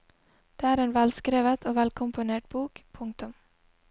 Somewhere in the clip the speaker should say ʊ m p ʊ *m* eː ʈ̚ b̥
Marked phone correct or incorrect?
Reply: incorrect: n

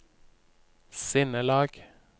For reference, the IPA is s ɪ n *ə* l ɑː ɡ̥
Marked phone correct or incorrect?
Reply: correct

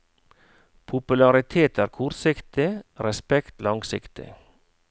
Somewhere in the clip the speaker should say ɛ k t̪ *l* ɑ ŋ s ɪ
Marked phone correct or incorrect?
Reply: correct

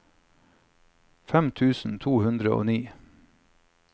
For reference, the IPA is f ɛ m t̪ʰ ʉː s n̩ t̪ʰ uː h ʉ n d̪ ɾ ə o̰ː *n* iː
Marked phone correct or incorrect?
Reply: correct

